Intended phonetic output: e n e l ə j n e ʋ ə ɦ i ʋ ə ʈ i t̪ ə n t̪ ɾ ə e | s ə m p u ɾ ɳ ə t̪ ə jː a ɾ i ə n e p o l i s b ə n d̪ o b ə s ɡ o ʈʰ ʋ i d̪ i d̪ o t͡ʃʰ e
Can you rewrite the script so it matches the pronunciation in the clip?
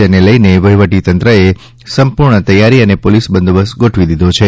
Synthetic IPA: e n e l ə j n e ʋ ə ɦ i ʋ ə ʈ i t̪ ə n t̪ ɾ ə e | s ə m p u ɾ ɳ ə t̪ ə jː a ɾ i ə n e p o l i s b ə n d̪ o b ə s ɡ o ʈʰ ʋ i d̪ i d̪ o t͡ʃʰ e